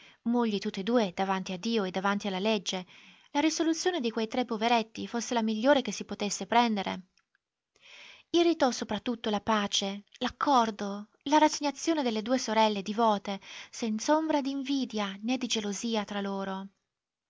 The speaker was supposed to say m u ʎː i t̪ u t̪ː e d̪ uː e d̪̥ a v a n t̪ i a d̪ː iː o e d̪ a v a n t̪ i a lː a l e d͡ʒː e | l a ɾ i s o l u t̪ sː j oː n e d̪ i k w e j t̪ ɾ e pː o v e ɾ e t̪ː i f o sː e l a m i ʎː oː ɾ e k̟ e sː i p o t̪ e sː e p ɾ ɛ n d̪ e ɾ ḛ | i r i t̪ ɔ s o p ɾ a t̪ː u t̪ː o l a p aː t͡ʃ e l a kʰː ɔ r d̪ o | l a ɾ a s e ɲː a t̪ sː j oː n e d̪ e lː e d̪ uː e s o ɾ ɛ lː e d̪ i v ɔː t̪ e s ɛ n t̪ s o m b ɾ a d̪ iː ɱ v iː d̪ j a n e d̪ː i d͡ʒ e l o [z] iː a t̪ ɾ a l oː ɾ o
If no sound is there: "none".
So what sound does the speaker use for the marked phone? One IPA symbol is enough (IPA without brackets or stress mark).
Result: z